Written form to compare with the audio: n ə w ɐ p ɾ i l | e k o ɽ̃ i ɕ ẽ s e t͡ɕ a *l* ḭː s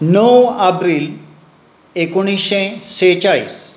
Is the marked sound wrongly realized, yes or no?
yes